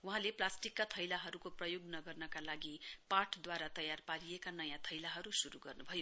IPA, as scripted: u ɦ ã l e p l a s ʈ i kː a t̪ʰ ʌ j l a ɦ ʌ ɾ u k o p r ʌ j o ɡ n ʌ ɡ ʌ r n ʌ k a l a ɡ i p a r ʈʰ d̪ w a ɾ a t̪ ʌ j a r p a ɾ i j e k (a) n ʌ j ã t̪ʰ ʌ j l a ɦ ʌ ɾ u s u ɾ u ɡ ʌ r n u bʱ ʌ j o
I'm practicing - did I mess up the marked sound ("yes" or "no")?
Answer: no